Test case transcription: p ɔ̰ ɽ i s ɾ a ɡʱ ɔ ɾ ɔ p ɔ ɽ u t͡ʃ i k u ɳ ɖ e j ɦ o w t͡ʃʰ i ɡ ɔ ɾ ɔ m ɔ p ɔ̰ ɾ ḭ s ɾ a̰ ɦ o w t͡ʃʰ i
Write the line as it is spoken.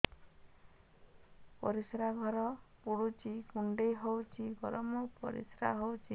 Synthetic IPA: p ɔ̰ ɾ i s ɾ a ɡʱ ɔ ɾ ɔ p u ɽ u t͡ʃ i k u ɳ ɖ e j ɦ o w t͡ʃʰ i ɡ ɔ ɾ ɔ m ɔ p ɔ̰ ɾ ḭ s ɾ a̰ ɦ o w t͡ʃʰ i